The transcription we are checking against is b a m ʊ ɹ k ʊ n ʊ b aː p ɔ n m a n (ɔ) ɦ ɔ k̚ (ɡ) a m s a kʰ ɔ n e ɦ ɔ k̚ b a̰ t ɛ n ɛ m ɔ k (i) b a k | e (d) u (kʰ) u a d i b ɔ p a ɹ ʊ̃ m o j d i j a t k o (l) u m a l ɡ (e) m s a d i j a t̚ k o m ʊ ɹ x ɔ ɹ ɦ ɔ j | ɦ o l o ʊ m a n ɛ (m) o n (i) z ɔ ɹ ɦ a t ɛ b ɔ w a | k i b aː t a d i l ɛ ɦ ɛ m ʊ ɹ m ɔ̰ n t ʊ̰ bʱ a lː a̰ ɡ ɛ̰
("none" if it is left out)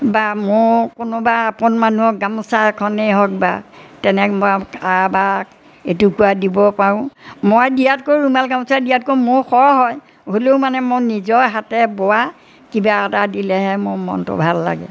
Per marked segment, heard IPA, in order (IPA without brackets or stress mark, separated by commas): u, ɡ, a, t, k, ɹ, a, m, i